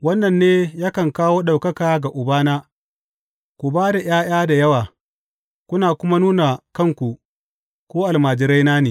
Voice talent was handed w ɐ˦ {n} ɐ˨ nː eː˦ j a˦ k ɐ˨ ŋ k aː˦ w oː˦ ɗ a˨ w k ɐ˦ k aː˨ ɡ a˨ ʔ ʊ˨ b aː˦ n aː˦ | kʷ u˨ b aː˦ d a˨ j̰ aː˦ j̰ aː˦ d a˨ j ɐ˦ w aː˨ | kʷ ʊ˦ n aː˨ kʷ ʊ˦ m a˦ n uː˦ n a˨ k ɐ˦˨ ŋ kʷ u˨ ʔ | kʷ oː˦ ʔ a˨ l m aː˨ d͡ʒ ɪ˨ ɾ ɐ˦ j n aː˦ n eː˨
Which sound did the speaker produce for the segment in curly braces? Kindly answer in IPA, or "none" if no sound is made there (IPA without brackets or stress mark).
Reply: nː